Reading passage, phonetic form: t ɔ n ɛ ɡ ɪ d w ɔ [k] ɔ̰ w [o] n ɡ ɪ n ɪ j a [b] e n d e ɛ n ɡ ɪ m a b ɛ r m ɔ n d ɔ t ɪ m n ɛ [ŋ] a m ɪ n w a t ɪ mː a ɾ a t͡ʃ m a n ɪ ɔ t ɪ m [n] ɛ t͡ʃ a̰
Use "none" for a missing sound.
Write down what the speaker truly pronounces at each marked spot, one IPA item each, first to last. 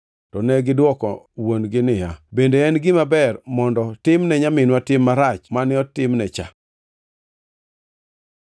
k, o, b, ɲ, n

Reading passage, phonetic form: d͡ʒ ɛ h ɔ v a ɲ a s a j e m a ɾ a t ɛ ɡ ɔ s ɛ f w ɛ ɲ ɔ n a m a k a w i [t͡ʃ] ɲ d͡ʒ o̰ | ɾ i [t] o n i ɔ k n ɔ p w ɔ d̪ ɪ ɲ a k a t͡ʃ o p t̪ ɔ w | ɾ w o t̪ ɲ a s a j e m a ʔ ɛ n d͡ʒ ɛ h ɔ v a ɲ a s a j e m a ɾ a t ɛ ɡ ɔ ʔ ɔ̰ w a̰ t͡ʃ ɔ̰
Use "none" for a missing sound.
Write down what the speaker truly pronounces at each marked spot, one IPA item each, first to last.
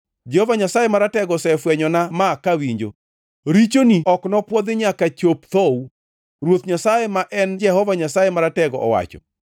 none, t͡ʃ

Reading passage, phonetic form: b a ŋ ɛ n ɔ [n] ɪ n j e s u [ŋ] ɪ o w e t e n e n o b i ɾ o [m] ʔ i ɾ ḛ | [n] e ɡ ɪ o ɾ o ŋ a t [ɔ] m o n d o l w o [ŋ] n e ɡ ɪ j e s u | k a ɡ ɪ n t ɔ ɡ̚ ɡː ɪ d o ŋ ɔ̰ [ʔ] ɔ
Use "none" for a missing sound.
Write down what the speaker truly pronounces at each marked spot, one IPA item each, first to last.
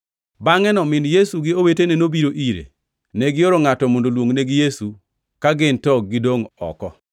m, ɡ, none, n, ɔ, ŋ, k

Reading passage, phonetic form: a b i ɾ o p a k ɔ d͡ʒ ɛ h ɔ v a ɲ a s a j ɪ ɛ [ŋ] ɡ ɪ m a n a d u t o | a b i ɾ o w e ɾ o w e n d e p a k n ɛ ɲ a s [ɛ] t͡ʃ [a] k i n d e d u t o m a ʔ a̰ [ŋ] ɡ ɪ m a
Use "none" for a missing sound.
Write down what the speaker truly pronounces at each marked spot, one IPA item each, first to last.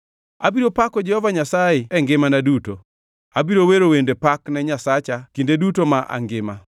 ŋ, a, a, ŋ

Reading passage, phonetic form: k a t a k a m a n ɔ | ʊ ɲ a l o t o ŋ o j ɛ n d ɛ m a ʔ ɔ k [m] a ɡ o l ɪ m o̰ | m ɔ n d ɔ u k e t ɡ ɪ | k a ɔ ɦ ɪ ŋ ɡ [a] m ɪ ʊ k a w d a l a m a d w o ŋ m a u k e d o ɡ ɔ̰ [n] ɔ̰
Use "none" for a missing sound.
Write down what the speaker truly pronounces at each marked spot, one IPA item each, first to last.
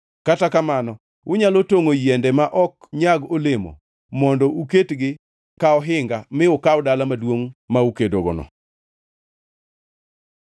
ɲ, a, n

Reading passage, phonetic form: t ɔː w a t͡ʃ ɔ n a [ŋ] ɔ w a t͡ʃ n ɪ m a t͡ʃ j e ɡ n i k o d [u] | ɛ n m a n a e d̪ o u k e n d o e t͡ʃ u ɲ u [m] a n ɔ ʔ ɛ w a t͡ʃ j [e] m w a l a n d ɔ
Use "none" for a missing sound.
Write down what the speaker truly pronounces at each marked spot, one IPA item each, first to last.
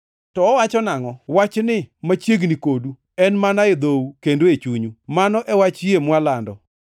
ŋ, u, m, e

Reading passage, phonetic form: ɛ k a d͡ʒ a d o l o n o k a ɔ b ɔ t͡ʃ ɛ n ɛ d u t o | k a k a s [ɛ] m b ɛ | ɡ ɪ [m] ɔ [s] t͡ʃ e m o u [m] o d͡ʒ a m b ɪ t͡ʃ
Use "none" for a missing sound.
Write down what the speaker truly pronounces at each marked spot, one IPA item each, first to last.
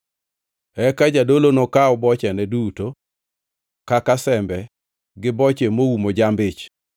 ɛ, b, none, m

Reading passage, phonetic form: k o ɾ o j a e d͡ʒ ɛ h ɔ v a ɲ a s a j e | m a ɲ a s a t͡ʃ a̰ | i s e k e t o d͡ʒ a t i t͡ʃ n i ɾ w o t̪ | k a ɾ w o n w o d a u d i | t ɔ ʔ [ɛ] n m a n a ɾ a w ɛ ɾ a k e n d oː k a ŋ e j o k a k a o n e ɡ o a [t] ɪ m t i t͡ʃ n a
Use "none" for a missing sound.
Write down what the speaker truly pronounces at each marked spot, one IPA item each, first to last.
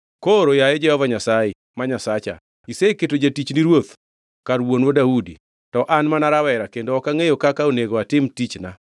a, t

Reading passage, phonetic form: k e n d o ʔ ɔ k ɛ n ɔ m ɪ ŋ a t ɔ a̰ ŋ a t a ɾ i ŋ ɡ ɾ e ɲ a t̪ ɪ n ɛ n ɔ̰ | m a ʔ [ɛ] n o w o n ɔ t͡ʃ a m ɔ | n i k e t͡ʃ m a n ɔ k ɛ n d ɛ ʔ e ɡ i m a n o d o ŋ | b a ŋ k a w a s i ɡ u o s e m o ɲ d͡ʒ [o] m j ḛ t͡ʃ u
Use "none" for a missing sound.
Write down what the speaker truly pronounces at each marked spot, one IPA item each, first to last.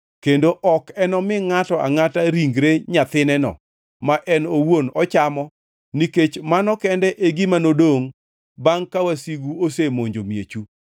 ɛ, o

